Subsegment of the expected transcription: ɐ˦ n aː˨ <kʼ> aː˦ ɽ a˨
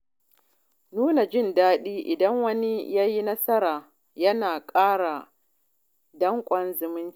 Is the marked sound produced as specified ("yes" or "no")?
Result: yes